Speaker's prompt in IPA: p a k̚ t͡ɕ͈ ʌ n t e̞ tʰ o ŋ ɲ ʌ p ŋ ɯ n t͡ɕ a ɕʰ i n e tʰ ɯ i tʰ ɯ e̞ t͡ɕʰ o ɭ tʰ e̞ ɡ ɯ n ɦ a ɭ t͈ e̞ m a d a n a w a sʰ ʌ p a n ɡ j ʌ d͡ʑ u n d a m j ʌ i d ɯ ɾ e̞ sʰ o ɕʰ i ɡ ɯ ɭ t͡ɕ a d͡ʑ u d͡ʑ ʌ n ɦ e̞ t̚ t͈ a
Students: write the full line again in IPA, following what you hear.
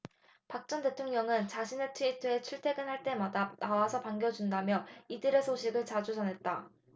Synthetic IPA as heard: p a k̚ t͡ɕ͈ ʌ n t e̞ tʰ o ŋ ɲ ʌ ŋ ɯ n t͡ɕ a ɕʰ i n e tʰ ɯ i tʰ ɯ e̞ t͡ɕʰ u ɭ tʰ e̞ ɡ ɯ n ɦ a ɭ t͈ e̞ m a d a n a w a sʰ ʌ p a ŋ ɡ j ʌ d͡ʑ u n d a m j ʌ i d ɯ ɾ e̞ sʰ o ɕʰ i ɡ ɯ ɭ t͡ɕ a d͡ʑ u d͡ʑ ʌ n ɦ e̞ t̚ t͈ a